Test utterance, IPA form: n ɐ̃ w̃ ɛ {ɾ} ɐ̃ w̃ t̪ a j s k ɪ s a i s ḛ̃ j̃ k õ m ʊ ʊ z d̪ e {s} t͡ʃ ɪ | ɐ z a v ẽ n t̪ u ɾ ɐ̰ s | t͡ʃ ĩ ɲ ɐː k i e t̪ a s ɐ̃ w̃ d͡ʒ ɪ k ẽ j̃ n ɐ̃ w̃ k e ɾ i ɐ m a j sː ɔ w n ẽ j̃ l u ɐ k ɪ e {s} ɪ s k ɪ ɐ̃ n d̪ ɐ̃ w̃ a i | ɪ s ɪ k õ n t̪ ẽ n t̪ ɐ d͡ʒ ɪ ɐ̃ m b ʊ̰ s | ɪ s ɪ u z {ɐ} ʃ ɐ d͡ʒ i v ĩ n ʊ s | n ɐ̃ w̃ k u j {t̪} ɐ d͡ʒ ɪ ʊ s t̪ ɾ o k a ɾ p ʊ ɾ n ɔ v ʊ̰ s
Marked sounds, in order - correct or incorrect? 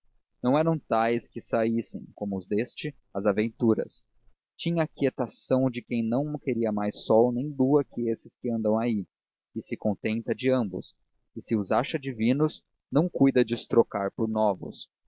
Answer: correct, correct, correct, incorrect: a, incorrect: d̪

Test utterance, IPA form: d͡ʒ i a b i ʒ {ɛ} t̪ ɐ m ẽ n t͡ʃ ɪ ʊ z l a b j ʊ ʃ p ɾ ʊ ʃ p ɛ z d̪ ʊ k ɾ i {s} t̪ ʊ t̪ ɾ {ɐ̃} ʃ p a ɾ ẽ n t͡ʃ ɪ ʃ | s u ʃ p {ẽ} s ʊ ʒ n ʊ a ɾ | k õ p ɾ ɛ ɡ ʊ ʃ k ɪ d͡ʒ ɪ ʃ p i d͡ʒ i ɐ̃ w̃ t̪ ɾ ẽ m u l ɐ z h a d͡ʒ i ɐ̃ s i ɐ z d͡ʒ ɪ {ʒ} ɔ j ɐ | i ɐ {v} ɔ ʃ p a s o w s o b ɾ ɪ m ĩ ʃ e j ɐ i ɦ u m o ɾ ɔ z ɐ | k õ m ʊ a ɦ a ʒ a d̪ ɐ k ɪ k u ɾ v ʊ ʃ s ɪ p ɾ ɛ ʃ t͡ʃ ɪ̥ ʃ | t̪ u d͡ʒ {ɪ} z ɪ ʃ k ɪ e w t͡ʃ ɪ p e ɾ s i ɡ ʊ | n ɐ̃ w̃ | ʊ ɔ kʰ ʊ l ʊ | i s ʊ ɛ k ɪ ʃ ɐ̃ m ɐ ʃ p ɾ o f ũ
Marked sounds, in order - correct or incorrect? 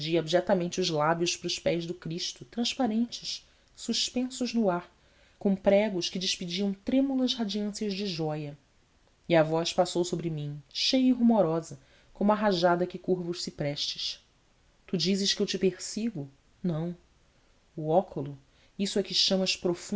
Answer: correct, incorrect: ʃ, correct, correct, correct, correct, incorrect: i

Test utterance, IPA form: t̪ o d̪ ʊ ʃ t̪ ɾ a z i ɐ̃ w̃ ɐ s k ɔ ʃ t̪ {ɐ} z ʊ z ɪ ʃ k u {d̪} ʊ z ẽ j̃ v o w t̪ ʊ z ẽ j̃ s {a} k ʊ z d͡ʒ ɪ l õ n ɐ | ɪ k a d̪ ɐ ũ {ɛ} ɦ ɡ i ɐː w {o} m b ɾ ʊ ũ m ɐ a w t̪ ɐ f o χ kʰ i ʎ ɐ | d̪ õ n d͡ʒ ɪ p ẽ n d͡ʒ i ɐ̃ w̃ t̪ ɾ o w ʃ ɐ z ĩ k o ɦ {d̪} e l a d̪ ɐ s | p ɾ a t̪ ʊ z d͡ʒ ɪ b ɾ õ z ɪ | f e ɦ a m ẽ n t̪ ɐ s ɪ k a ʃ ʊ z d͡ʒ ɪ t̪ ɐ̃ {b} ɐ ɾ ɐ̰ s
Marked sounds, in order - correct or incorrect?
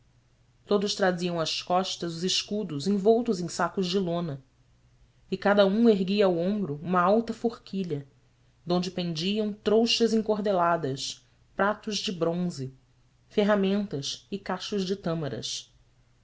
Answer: correct, correct, correct, incorrect: e, incorrect: õ, correct, incorrect: m

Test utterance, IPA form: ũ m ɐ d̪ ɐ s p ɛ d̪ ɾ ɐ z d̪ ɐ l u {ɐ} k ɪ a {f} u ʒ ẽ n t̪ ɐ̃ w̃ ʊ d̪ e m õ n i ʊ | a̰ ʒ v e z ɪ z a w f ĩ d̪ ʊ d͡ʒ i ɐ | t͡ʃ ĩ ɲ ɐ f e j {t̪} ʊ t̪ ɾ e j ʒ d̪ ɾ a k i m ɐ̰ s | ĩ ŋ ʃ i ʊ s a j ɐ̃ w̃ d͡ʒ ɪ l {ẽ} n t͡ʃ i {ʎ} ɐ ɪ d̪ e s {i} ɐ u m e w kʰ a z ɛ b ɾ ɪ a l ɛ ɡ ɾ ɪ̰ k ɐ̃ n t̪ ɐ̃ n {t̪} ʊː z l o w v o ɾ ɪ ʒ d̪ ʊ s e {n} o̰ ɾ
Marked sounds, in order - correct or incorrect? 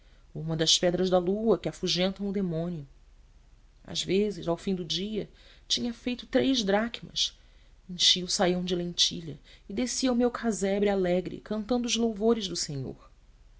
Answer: correct, correct, correct, correct, correct, correct, incorrect: d̪, incorrect: ɲ

